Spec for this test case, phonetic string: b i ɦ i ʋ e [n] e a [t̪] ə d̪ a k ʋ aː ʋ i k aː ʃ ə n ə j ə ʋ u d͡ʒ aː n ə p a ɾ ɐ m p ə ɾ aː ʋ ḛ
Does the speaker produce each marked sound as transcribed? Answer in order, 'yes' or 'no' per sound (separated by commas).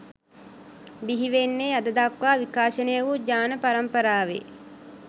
no, no